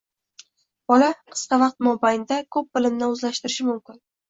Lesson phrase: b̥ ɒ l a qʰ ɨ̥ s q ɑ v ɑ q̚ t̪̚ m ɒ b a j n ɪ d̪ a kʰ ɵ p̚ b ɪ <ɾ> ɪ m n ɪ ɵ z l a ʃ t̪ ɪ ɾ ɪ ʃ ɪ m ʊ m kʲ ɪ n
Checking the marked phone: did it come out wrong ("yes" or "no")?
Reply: yes